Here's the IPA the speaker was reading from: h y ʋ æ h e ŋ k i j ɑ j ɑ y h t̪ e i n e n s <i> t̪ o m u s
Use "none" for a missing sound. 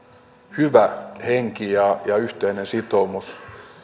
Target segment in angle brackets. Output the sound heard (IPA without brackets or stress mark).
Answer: i